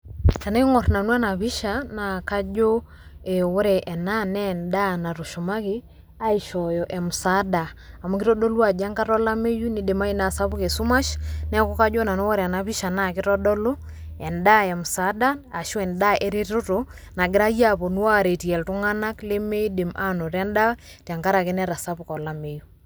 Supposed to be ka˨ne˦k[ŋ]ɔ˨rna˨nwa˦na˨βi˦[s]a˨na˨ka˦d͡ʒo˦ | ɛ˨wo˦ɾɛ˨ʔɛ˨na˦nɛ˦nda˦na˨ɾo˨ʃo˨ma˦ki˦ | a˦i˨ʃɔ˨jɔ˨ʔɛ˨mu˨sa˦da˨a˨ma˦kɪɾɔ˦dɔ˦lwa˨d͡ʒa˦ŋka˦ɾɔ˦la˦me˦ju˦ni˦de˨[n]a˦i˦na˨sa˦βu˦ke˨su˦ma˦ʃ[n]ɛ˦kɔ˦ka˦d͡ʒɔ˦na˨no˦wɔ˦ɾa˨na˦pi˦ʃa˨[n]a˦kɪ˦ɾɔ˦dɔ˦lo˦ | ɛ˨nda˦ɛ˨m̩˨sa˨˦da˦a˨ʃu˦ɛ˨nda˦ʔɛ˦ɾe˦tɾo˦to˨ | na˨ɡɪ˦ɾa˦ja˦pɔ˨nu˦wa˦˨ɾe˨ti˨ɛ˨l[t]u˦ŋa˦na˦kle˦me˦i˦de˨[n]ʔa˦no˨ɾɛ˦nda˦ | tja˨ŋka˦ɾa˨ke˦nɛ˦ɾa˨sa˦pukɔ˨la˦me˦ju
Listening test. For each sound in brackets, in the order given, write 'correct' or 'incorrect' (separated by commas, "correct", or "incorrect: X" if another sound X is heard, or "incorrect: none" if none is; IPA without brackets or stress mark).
correct, incorrect: ʃ, incorrect: m, correct, correct, correct, incorrect: m